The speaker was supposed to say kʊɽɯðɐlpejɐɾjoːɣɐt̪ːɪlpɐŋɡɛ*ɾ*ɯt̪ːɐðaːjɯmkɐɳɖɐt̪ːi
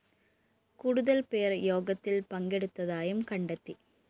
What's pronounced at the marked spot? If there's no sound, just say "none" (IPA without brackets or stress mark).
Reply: ɽ